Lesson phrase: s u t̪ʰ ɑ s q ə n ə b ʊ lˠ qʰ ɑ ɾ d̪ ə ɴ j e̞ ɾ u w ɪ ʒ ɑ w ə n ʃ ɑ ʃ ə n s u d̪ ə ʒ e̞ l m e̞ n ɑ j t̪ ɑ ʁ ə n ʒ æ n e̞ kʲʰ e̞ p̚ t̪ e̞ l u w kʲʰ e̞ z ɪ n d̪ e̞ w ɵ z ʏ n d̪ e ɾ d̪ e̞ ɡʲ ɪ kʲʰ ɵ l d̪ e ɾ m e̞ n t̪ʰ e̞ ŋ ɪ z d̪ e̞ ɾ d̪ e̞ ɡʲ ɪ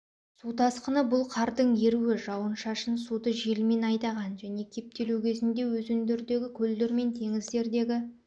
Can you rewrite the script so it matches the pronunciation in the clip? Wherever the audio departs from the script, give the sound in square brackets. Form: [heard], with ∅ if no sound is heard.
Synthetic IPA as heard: s u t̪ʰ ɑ s q ə n ə b ʊ lˠ qʰ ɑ ɾ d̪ ə ɴ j e̞ ɾ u w ɪ ʒ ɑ w ə n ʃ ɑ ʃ ə n s u d̪ ə ʒ e̞ l m e̞ n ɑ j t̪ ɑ ʁ [ɑ] n ʒ æ n e̞ kʲʰ e̞ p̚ t̪ e̞ l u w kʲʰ e̞ z ɪ n d̪ e̞ w ɵ z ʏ n d̪ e ɾ d̪ e̞ ɡʲ ɪ kʲʰ ɵ l d̪ e ɾ m e̞ n t̪ʰ e̞ ŋ ɪ z d̪ e̞ ɾ d̪ e̞ ɡʲ ɪ

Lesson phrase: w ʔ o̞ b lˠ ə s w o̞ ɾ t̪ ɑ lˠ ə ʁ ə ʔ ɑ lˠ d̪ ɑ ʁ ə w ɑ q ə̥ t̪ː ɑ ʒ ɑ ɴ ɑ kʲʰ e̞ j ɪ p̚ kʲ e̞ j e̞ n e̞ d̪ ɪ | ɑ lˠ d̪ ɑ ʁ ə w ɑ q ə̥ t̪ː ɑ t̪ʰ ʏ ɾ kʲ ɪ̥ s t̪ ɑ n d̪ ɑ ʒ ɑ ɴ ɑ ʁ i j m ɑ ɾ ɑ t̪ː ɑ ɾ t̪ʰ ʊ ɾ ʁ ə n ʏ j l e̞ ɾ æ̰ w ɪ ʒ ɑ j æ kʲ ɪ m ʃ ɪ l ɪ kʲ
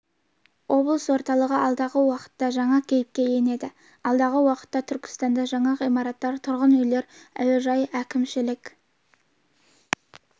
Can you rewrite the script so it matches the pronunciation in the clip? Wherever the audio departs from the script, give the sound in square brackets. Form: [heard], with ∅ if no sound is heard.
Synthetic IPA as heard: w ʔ o̞ b lˠ ə s w o̞ ɾ t̪ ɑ lˠ ə ʁ ə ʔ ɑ lˠ d̪ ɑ ʁ ə w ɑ q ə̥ t̪ː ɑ ʒ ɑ ɴ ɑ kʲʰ e̞ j ɪ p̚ kʲ e̞ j e̞ n e̞ d̪ ɪ | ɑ lˠ d̪ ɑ ʁ ə w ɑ q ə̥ t̪ː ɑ t̪ʰ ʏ ɾ kʲ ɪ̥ s t̪ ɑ n d̪ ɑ ʒ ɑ ɴ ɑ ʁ i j m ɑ ɾ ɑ t̪ː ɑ ɾ t̪ʰ ʊ ɾ ʁ ə n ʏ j l e̞ ɾ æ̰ w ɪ ʒ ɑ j æ kʲ ɪ m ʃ ɪ l ɪ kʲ

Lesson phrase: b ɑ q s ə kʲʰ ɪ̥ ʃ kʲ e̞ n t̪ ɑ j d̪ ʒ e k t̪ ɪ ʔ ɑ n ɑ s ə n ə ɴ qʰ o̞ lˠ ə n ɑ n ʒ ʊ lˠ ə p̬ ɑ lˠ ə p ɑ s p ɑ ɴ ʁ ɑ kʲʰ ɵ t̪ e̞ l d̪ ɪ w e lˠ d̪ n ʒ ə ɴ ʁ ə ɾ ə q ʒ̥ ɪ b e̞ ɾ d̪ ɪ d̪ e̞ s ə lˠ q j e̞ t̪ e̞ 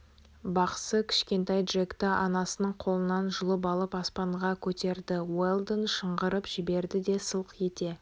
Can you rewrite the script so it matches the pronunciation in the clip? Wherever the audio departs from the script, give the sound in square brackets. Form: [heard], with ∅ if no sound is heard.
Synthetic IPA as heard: b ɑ q s ə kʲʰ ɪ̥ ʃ kʲ e̞ n t̪ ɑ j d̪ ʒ e k t̪ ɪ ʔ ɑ n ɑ s ə n ə ɴ qʰ o̞ lˠ ə n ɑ n ʒ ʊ lˠ ə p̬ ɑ lˠ ə p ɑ s p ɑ ɴ ʁ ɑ kʲʰ ɵ t̪ e̞ [ɾ] d̪ ɪ w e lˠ d̪ n [ʃ] ə ɴ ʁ ə ɾ ə [p] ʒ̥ ɪ b e̞ ɾ d̪ ɪ d̪ e̞ s ə lˠ q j e̞ t̪ e̞

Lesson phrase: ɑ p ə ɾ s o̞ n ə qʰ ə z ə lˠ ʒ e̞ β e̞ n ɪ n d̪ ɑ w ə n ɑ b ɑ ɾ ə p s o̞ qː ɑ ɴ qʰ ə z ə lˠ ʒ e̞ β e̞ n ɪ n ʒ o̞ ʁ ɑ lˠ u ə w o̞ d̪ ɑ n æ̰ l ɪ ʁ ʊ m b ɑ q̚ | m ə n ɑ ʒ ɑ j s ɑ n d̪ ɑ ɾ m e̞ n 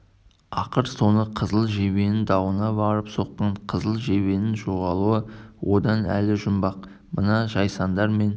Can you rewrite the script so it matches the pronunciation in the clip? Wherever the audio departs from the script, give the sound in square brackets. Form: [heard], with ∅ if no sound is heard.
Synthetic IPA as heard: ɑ [q] ə ɾ s o̞ n ə qʰ ə z ə lˠ ʒ e̞ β e̞ n ɪ n d̪ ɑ w ə n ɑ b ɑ ɾ ə p s o̞ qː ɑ ɴ qʰ ə z ə lˠ ʒ e̞ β e̞ n ɪ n ʒ o̞ ʁ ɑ lˠ u ə w o̞ d̪ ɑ n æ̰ l ɪ [ʒ] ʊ m b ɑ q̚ | m ə n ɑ ʒ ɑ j s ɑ n d̪ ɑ ɾ m e̞ n

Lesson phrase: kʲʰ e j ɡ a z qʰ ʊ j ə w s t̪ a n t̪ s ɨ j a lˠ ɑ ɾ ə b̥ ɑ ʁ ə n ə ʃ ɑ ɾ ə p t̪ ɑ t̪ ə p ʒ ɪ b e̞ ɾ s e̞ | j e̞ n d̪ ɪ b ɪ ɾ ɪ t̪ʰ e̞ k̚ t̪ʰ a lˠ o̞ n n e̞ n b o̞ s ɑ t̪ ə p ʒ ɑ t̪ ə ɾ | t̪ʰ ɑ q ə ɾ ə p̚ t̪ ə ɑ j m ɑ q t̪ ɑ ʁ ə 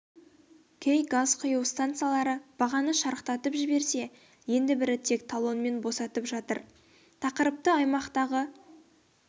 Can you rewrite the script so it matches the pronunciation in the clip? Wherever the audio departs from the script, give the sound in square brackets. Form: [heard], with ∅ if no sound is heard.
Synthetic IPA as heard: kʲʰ e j ɡ a z qʰ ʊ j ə w s t̪ a n t̪ s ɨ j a lˠ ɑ ɾ ə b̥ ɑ ʁ [ɑ] n ə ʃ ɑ ɾ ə [q] t̪ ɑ t̪ ə p ʒ ɪ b e̞ ɾ s e̞ | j e̞ n d̪ ɪ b ɪ ɾ ɪ t̪ʰ e̞ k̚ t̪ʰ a lˠ o̞ n [m] e̞ n b o̞ s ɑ t̪ ə p ʒ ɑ t̪ ə ɾ | t̪ʰ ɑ q ə ɾ ə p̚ t̪ ə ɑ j m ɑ q t̪ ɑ ʁ ə

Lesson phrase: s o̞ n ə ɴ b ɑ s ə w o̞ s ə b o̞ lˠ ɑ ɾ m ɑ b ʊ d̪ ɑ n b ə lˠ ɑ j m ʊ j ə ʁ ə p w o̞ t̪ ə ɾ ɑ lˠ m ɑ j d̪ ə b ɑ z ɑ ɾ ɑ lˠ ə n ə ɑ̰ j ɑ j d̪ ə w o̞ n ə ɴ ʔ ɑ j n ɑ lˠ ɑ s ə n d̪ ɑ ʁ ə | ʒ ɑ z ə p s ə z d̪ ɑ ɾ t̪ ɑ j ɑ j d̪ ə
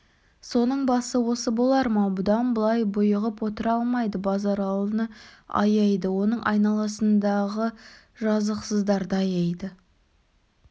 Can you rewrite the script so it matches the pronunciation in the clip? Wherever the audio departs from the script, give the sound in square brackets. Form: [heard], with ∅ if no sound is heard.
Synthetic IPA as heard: s o̞ n ə ɴ b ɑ s ə w o̞ s ə b o̞ lˠ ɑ ɾ m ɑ b ʊ d̪ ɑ n b ə lˠ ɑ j [b] ʊ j ə ʁ ə p w o̞ t̪ ə ɾ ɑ lˠ m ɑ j d̪ ə b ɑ z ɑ ɾ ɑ lˠ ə n ə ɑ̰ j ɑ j d̪ ə w o̞ n ə ɴ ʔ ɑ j n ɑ lˠ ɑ s ə n d̪ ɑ ʁ ə | ʒ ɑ z ə [q] s ə z d̪ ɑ ɾ [d̪] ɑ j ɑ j d̪ ə

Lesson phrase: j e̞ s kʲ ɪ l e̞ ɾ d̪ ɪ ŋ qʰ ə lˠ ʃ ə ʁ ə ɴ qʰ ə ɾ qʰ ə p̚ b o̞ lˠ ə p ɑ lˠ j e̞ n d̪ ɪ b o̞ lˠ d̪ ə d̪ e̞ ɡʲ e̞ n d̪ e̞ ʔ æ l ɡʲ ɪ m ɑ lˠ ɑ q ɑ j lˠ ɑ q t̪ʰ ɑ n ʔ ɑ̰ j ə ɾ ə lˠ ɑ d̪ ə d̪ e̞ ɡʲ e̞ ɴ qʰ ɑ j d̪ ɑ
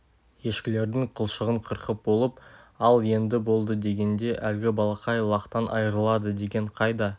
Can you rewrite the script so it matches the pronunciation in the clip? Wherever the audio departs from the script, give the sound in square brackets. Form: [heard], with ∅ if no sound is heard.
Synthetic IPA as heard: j e̞ [ʃ] kʲ ɪ l e̞ ɾ d̪ ɪ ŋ qʰ ə lˠ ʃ ə ʁ ə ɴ qʰ ə ɾ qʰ ə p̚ b o̞ lˠ ə p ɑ lˠ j e̞ n d̪ ɪ b o̞ lˠ d̪ ə d̪ e̞ ɡʲ e̞ n d̪ e̞ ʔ æ l ɡʲ ɪ [b] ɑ lˠ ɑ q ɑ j lˠ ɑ q [t̪] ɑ n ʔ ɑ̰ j ə ɾ ə lˠ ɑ d̪ ə d̪ e̞ ɡʲ e̞ ɴ qʰ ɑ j d̪ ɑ

